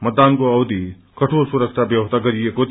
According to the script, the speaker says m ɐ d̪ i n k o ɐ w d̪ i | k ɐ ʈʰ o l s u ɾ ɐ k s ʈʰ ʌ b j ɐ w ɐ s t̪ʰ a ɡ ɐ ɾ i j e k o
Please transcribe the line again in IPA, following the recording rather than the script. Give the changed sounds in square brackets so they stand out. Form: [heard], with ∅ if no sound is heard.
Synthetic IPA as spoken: m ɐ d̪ [a] n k o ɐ w d̪ i | k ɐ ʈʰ o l s u ɾ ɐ k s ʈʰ [a] b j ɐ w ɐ s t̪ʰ a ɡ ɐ ɾ i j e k o